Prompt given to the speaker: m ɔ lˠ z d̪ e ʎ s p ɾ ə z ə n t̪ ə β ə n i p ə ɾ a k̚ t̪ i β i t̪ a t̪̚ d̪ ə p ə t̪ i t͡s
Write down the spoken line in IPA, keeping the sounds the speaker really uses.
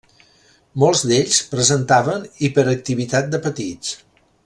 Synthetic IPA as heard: m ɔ lˠ z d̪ e ʎ s p ɾ ə z ə n t̪ a β ə n i p ə ɾ ə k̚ t̪ i β i t̪ a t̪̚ d̪ ə p ə t̪ i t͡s